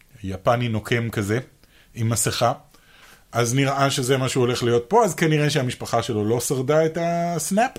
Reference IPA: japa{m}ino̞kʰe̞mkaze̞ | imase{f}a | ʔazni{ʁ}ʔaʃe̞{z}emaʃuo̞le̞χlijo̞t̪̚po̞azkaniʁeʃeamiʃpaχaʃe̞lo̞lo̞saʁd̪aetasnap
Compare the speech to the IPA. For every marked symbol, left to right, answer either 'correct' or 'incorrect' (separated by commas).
incorrect, incorrect, correct, correct